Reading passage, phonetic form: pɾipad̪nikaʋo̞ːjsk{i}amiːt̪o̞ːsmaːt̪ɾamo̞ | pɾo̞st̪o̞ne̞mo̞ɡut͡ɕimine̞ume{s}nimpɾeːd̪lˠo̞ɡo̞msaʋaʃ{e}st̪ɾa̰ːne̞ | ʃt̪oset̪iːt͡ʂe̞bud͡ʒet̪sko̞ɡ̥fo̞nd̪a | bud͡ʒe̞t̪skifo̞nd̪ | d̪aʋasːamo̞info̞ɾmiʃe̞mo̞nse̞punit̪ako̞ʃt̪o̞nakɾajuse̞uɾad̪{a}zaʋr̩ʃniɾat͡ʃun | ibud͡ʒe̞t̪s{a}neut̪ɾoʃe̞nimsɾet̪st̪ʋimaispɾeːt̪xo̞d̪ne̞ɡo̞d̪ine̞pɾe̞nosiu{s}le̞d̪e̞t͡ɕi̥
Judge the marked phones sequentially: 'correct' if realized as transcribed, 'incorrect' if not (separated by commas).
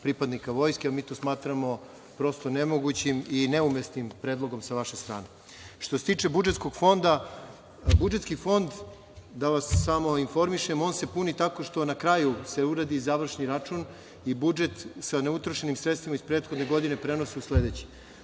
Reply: incorrect, correct, correct, incorrect, correct, correct